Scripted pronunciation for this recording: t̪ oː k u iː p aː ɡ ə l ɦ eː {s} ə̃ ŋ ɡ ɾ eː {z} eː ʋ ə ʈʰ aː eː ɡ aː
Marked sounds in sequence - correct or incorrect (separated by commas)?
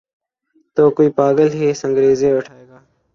correct, correct